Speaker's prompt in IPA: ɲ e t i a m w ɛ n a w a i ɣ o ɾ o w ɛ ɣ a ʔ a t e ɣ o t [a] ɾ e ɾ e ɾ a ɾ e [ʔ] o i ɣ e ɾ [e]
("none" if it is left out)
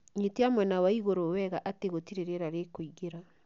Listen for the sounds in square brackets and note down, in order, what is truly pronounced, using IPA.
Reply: i, k, a

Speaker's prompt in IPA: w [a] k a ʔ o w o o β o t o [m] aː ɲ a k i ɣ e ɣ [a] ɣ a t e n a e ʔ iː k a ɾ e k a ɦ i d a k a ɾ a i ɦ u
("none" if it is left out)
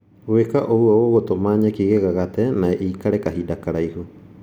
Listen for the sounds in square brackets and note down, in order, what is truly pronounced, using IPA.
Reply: e, m, a

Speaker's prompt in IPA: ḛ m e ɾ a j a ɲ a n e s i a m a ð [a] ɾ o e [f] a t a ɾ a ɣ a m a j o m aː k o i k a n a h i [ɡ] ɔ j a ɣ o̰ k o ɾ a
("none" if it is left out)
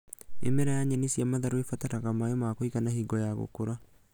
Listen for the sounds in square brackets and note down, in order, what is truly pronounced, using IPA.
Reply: a, f, ɡ

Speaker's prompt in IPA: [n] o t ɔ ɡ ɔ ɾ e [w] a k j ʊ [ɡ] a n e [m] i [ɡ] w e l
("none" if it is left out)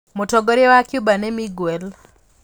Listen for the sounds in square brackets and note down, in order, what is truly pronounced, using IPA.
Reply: m, w, b, m, ɡ

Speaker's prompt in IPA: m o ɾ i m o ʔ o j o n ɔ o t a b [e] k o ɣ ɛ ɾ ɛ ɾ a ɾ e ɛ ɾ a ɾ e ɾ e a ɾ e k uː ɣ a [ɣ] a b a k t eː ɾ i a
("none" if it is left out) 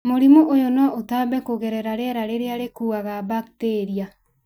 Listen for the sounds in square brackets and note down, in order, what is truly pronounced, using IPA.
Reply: ɛ, ɣ

